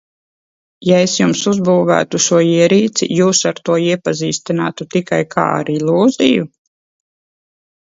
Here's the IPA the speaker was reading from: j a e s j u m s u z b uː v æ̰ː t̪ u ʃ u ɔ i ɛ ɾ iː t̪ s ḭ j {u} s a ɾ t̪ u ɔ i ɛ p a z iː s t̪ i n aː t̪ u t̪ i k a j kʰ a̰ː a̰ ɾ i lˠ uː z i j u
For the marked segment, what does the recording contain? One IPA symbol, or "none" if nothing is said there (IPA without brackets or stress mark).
uː